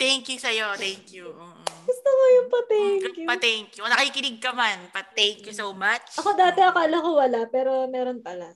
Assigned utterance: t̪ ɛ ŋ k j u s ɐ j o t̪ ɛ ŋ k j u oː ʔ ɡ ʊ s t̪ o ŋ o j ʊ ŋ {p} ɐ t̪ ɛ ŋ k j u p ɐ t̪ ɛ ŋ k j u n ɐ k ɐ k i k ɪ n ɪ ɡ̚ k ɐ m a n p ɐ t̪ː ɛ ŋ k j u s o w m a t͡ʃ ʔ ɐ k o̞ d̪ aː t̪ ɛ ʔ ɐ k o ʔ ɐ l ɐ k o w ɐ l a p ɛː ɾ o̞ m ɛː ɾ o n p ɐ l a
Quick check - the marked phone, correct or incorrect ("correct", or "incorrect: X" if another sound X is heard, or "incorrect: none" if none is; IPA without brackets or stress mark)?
correct